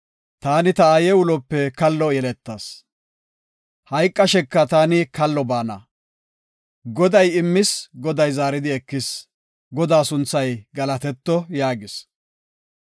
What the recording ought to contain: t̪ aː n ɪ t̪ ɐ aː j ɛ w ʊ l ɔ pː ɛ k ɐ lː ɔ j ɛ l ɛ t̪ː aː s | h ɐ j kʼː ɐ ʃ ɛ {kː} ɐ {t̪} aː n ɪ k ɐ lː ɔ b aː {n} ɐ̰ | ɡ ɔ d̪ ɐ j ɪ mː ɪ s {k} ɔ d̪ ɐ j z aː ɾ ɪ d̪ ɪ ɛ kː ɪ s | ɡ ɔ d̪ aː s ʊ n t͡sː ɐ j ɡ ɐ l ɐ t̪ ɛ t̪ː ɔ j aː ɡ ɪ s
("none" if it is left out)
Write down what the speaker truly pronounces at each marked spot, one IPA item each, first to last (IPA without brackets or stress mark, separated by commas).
kː, t̪, n, ɡ